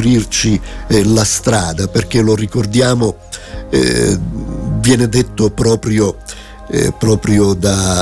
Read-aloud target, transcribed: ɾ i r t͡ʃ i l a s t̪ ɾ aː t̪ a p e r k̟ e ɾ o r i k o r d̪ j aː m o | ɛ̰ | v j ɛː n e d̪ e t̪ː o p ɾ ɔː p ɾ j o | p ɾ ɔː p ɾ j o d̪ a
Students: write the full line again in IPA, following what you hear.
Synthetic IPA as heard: ɾ i r t͡ʃ i l a s t̪ ɾ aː d̪ a p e r k̟ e l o r i k o r d̪ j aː m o | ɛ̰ | v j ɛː n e d̪ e t̪ː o p ɾ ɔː p ɾ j o | p ɾ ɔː p ɾ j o d̪ a